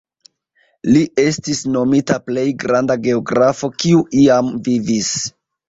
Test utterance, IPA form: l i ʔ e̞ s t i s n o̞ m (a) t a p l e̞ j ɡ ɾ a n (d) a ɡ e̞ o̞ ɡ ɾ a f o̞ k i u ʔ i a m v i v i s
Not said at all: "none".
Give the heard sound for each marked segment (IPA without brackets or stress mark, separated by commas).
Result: i, d